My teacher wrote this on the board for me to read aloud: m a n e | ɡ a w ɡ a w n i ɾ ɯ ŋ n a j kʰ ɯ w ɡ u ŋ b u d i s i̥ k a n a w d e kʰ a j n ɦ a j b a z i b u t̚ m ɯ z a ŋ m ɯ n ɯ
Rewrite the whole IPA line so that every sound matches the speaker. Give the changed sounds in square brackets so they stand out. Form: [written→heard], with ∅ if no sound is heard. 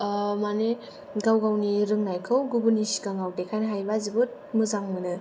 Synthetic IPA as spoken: m a n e | ɡ a w ɡ a w n i ɾ ɯ ŋ n a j kʰ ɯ w ɡ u [ŋ→∅] b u [d→n] i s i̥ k a [n→ŋ] a w d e kʰ a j n ɦ a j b a z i b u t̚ m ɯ z a ŋ m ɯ n ɯ